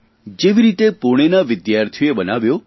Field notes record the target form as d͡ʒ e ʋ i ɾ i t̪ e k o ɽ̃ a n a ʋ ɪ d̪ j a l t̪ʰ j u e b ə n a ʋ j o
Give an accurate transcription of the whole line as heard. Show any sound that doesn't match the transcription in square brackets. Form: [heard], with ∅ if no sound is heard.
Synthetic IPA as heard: d͡ʒ e ʋ i ɾ i t̪ e [p] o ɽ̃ [e] n a ʋ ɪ d̪ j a [ɾ] t̪ʰ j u e b ə n a ʋ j o